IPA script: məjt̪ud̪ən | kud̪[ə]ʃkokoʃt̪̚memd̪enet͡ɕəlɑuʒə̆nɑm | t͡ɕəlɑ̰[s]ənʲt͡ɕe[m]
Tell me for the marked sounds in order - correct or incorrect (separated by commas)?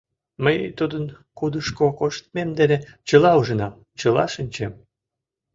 correct, incorrect, correct